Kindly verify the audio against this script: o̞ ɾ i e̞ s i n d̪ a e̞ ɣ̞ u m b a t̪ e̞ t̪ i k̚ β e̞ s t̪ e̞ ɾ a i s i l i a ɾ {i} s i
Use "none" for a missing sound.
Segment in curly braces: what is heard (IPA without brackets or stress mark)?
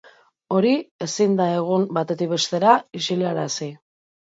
a